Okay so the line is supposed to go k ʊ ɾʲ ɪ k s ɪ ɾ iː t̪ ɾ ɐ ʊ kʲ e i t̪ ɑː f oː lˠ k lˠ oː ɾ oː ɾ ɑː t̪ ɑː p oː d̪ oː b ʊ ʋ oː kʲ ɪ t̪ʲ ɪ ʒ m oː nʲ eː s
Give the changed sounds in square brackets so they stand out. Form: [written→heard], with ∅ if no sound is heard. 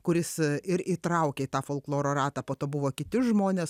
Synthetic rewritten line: k ʊ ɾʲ ɪ [k→∅] s ɪ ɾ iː t̪ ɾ ɐ ʊ kʲ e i t̪ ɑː f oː lˠ k lˠ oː ɾ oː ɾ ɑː t̪ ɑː p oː [d̪→t̪] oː b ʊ ʋ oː kʲ ɪ t̪ʲ ɪ ʒ m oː nʲ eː s